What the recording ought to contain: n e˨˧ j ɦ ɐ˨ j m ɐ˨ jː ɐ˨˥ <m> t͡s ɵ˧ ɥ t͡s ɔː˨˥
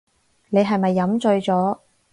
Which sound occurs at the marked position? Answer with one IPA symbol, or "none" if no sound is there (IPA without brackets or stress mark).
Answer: m